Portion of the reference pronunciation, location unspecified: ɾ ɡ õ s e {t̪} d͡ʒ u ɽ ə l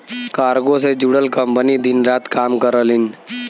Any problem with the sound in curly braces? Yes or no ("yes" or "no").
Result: yes